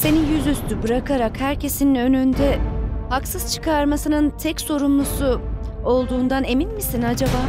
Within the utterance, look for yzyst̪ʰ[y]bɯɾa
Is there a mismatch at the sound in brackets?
no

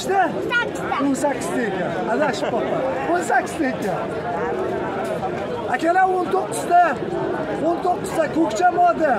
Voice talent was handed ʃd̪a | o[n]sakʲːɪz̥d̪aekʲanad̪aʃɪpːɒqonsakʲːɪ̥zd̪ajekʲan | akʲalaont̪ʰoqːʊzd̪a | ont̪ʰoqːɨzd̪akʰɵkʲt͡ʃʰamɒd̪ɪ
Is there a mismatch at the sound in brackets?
no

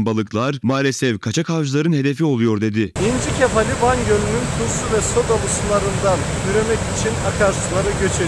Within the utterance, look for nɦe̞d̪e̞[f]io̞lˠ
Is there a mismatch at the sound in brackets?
no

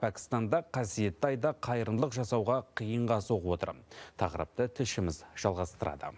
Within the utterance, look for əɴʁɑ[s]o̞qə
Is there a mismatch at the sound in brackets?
no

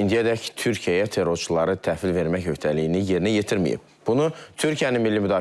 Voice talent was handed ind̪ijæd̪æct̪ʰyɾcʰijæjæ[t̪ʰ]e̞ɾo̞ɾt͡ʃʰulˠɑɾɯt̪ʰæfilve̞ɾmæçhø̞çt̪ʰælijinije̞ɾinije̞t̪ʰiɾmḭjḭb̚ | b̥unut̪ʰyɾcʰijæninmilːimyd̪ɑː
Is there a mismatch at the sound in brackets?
no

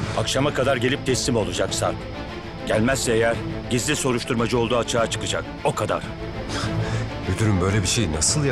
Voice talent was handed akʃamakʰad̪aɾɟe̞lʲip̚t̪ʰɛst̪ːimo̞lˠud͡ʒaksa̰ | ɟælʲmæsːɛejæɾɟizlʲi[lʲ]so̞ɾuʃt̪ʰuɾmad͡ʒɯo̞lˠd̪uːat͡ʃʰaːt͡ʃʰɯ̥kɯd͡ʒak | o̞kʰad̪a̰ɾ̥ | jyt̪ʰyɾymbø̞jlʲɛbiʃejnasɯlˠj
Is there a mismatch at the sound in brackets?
yes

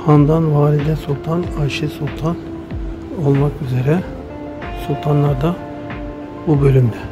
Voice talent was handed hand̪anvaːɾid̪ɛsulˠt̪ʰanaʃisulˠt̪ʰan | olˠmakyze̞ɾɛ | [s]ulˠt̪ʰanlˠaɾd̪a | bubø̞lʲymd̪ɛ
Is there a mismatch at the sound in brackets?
no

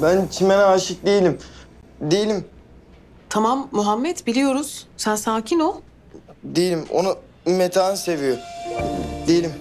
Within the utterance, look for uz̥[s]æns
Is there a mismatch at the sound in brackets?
no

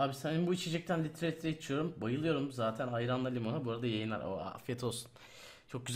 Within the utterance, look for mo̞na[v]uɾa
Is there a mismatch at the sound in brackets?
yes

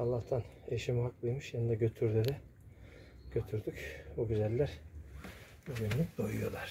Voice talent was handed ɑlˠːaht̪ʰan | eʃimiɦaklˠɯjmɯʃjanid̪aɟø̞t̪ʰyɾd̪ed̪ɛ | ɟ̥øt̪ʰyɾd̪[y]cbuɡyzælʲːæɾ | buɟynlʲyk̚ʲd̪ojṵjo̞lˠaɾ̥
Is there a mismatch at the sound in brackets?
no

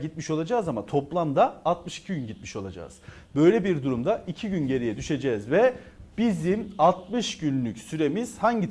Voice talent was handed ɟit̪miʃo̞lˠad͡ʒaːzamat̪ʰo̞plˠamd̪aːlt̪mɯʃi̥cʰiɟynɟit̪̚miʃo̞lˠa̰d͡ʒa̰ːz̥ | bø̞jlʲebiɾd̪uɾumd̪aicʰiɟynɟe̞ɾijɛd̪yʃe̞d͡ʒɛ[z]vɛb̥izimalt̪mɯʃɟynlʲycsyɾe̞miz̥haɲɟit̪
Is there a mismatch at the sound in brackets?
no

